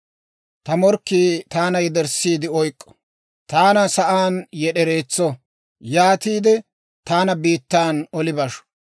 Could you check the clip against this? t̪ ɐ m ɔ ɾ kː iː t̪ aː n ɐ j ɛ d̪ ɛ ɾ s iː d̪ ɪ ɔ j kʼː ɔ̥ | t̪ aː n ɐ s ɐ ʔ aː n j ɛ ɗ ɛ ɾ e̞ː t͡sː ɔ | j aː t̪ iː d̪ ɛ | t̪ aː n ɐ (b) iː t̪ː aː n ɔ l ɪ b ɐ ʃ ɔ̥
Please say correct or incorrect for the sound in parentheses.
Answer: correct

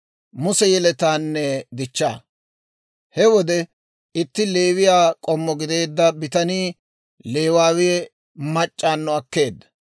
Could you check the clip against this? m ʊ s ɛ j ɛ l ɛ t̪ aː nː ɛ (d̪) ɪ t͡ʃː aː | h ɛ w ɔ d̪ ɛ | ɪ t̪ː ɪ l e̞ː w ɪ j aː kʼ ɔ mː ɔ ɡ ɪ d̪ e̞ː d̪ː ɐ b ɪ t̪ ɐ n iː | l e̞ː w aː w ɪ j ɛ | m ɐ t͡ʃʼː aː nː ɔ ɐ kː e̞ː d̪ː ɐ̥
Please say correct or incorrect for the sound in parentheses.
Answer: correct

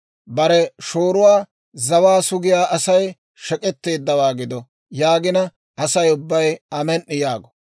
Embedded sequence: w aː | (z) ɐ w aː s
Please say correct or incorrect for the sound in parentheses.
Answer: correct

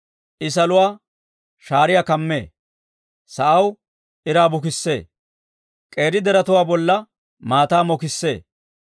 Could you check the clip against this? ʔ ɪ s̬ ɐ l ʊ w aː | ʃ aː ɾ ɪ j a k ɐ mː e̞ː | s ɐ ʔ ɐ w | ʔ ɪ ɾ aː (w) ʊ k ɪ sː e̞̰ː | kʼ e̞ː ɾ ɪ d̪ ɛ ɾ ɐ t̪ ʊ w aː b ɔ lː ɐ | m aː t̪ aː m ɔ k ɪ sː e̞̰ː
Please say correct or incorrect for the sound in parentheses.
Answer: incorrect: b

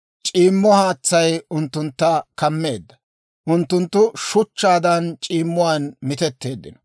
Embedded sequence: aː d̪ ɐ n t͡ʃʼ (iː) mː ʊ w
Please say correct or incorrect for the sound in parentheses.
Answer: correct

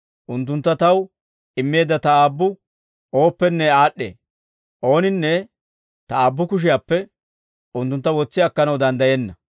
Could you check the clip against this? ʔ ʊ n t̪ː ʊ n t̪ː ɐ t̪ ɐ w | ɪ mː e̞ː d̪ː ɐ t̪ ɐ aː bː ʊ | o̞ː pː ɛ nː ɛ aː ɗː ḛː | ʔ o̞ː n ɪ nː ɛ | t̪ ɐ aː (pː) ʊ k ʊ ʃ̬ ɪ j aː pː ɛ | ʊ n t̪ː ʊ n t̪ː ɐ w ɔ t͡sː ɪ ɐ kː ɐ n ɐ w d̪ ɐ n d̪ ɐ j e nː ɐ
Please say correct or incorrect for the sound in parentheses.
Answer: incorrect: bː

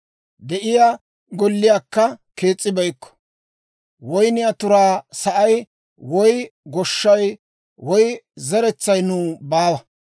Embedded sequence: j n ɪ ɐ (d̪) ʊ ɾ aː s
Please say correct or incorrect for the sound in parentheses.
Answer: incorrect: t̪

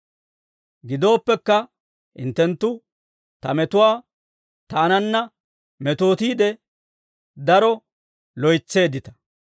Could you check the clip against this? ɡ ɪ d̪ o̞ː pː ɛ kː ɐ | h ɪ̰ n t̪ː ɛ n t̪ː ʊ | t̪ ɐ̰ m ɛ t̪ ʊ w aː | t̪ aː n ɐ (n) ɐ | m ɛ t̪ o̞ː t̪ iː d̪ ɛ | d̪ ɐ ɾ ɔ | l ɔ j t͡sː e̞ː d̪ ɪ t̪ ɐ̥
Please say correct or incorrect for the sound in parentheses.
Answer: incorrect: nː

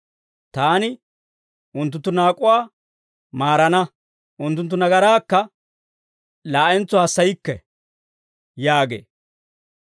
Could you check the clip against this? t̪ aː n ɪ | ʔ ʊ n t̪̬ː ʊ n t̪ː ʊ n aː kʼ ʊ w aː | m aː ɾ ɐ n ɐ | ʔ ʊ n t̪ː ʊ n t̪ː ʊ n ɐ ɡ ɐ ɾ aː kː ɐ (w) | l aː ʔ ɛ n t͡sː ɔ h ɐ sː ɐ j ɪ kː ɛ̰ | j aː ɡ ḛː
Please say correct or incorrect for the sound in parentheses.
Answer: incorrect: none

